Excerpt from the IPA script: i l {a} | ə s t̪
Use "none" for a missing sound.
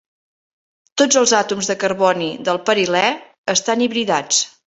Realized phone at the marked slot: ɛ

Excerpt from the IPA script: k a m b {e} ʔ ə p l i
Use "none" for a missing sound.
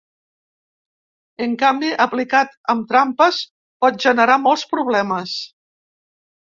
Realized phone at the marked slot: i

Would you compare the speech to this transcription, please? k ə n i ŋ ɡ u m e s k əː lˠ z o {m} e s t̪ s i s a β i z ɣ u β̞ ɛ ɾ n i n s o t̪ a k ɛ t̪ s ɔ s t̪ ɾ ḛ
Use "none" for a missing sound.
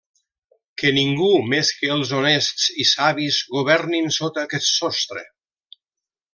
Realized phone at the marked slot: n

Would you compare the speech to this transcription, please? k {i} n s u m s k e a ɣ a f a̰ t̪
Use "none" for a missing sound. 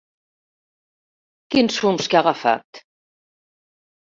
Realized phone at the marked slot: i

